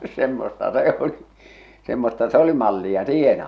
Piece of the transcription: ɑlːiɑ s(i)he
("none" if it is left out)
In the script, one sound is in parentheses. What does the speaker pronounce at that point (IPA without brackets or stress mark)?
iː